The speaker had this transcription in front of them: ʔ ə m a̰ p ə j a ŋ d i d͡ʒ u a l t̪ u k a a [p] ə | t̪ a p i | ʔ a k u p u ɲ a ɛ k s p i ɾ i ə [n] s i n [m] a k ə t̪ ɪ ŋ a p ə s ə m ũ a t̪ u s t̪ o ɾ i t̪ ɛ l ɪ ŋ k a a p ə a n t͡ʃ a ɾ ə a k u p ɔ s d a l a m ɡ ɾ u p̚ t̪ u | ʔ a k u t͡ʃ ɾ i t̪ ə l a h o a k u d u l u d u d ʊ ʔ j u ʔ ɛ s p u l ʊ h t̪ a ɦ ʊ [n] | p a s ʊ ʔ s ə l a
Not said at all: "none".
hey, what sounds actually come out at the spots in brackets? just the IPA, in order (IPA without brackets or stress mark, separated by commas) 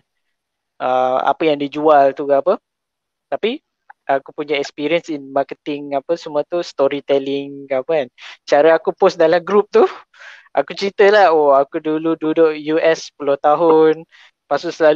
p, n, m, n